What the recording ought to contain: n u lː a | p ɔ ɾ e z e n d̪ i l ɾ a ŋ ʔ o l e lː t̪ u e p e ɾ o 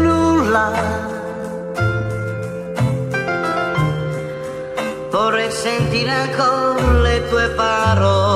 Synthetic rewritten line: n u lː a | p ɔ ɾ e s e n t̪ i ɾ a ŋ k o l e t̪ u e p a ɾ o